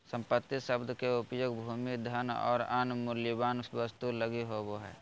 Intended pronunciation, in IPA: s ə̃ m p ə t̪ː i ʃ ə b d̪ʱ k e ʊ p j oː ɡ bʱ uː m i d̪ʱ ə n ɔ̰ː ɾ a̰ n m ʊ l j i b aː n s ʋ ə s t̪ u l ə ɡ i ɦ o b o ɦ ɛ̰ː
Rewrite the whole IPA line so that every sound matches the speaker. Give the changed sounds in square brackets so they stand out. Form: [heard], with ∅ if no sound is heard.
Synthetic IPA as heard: s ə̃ m p ə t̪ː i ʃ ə b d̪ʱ k e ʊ p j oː ɡ bʱ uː m i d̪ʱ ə n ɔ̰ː ɾ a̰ n m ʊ l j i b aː n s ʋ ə s t̪ u l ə ɡ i ɦ o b o ɦ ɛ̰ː